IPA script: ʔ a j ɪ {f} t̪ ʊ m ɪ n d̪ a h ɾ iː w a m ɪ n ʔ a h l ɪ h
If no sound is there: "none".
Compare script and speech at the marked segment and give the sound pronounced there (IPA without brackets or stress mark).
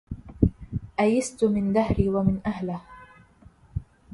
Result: s